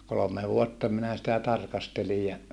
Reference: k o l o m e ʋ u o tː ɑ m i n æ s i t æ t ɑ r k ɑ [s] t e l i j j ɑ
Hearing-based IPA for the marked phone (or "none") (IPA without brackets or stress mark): s